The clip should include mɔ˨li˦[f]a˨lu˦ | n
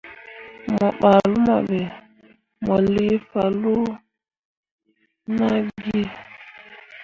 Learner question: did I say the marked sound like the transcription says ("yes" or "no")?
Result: yes